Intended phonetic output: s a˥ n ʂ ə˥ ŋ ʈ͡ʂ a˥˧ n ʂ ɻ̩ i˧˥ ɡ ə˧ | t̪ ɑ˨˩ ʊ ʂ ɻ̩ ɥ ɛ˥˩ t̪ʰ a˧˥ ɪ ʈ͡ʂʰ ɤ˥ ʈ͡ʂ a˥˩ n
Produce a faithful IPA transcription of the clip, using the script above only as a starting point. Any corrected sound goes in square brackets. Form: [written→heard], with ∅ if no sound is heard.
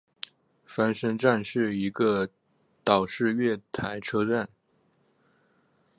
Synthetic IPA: [s→f] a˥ n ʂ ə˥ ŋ ʈ͡ʂ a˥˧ n ʂ ɻ̩ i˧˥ ɡ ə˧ | t̪ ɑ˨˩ ʊ ʂ ɻ̩ ɥ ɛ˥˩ t̪ʰ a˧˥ ɪ ʈ͡ʂʰ ɤ˥ ʈ͡ʂ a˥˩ n